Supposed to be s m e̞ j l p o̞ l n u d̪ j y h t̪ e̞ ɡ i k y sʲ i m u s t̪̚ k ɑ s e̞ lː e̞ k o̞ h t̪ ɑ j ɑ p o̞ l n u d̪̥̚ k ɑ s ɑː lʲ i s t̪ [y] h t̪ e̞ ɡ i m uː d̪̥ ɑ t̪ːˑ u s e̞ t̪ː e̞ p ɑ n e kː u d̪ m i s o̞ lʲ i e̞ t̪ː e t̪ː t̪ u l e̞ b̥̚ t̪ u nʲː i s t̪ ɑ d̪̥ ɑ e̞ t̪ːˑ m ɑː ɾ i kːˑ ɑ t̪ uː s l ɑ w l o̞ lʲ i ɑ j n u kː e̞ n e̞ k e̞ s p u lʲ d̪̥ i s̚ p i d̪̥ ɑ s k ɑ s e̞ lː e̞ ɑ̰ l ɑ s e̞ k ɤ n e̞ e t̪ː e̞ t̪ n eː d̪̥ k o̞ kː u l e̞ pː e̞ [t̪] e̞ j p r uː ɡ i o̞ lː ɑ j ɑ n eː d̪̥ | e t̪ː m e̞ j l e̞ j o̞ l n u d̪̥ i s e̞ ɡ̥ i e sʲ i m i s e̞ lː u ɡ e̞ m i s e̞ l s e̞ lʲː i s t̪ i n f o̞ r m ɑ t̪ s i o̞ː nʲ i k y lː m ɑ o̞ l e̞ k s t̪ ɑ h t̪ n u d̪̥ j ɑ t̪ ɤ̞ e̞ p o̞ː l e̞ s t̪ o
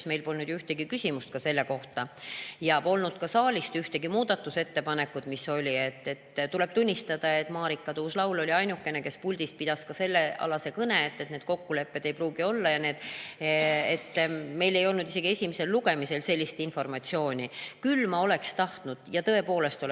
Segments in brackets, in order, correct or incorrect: correct, incorrect

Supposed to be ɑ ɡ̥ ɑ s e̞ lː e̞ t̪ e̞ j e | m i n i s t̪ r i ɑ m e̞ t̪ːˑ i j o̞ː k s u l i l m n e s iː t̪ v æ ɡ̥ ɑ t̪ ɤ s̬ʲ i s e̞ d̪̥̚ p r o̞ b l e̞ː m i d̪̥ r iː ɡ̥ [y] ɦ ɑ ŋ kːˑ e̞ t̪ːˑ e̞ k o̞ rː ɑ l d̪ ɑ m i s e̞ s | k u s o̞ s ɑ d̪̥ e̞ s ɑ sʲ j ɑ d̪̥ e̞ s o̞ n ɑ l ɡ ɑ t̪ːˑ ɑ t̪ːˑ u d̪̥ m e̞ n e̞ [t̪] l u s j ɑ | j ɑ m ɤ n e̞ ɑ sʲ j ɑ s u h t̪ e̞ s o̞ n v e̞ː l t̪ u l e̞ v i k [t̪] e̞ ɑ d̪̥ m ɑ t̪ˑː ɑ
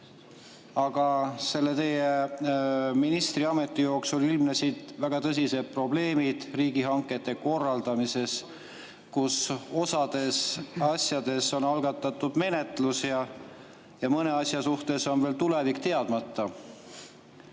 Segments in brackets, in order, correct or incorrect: incorrect, correct, correct

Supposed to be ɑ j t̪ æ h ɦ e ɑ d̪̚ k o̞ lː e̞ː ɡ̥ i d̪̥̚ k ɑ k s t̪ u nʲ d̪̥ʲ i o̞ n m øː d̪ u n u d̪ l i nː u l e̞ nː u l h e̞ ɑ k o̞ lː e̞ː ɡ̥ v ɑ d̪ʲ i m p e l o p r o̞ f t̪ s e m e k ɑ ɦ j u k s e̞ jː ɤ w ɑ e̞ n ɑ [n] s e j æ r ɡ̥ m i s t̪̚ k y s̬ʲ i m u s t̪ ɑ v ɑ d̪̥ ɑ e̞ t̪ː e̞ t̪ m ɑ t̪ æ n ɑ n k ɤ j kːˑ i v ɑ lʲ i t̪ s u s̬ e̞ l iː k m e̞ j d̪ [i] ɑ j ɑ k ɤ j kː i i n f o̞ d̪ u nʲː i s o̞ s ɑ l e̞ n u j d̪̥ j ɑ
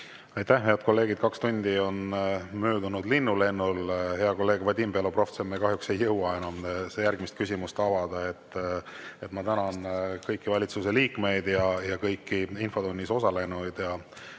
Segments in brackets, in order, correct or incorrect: incorrect, incorrect

